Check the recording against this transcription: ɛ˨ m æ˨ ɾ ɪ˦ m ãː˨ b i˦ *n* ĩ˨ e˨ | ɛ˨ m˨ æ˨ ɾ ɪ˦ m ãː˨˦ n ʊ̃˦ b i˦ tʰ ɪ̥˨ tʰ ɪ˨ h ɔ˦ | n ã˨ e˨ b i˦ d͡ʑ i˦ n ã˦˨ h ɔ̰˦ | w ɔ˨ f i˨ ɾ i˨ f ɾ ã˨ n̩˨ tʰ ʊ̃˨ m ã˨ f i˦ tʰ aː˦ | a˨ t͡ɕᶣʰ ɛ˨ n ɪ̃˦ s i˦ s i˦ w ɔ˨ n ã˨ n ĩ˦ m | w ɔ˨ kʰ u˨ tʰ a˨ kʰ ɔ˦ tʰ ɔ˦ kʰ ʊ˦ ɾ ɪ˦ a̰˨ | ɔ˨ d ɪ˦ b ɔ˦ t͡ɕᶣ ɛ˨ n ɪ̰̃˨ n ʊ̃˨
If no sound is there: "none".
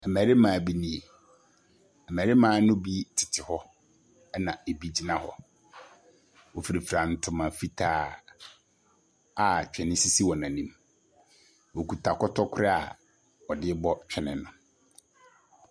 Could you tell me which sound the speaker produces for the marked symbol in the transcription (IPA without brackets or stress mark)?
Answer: n